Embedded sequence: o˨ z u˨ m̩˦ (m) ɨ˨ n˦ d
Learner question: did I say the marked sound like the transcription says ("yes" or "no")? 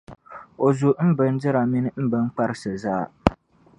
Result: no